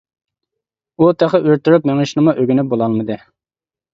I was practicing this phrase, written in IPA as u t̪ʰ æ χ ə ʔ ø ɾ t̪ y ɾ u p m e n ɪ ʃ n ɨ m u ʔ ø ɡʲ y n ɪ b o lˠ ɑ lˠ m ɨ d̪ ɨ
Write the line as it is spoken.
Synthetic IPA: u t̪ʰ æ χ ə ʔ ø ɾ t̪ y ɾ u p m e ŋ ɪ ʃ n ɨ m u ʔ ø ɡʲ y n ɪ b o lˠ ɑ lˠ m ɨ d̪ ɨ